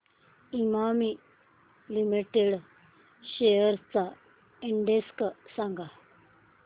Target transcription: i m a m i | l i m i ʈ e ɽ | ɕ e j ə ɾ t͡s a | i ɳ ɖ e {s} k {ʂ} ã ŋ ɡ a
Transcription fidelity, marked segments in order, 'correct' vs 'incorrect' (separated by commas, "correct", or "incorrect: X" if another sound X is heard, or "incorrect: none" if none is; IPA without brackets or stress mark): correct, incorrect: s